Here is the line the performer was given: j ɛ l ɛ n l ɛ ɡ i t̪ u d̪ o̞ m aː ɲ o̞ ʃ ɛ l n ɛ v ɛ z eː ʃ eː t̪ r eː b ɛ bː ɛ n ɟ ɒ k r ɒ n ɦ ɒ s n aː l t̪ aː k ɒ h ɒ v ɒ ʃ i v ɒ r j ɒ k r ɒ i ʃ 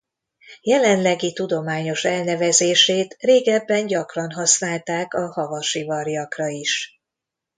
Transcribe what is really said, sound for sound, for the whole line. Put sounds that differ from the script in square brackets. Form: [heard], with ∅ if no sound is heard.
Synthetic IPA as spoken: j ɛ l ɛ n l ɛ ɡ i t̪ u d̪ o̞ m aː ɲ o̞ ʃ ɛ l n ɛ v ɛ z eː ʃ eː t̪ r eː [ɡ] ɛ bː ɛ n ɟ ɒ k r ɒ n ɦ ɒ s n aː l t̪ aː k ɒ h ɒ v ɒ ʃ i v ɒ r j ɒ k r ɒ i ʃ